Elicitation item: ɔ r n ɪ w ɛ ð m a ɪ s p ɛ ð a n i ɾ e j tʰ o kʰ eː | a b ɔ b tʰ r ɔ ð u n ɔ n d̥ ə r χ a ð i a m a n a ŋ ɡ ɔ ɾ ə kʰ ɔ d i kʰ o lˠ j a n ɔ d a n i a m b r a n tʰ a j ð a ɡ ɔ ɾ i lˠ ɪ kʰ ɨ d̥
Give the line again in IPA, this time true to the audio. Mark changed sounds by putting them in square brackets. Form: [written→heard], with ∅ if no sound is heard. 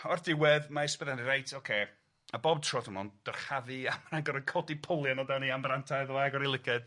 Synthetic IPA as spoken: ɔ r [n→d] ɪ w ɛ ð m a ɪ s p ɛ ð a n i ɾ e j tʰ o kʰ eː | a b ɔ b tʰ r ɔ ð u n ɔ n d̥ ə r χ a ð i a m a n a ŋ ɡ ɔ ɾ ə kʰ ɔ d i [kʰ→pʰ] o lˠ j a n ɔ d a n i a m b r a n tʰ a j ð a ɡ ɔ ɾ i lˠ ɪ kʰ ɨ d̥